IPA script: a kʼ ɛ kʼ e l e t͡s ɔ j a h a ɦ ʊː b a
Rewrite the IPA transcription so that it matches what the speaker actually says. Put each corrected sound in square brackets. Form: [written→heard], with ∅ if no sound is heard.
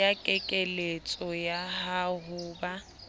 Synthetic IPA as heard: a kʼ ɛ kʼ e l e [t͡s→t͡sʼ] ɔ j a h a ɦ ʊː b a